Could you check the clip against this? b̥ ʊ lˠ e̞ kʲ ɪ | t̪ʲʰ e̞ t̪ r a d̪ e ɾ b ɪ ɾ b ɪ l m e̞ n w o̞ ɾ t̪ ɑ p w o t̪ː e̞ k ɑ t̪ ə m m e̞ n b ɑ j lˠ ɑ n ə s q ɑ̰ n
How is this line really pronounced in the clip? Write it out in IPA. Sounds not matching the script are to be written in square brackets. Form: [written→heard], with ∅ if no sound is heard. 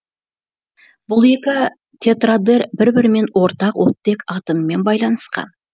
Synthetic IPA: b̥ ʊ lˠ e̞ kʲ ɪ | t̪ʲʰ e̞ t̪ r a d̪ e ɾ b ɪ ɾ b ɪ [l→ɾ] m e̞ n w o̞ ɾ t̪ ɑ [p→q] w o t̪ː e̞ k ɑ t̪ ə m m e̞ n b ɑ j lˠ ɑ n ə s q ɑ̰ n